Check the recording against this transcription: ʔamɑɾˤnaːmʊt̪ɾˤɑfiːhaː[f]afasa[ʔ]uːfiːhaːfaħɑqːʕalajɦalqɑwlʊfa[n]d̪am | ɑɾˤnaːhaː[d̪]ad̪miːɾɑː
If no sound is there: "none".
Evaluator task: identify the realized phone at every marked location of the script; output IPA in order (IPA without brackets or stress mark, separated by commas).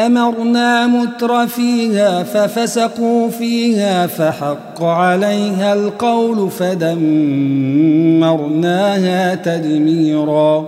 f, q, none, t̪